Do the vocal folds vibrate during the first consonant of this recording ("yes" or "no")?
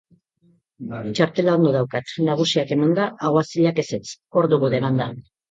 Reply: no